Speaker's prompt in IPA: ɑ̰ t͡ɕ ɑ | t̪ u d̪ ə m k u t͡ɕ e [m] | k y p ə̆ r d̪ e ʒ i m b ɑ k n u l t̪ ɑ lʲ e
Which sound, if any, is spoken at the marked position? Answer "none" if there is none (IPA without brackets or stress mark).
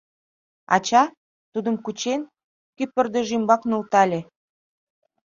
n